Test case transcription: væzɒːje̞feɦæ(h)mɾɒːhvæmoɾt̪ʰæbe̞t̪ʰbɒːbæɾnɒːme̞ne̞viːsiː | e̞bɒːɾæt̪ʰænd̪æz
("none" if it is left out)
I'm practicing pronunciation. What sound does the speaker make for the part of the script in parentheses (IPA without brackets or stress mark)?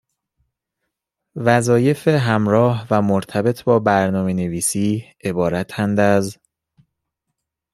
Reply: none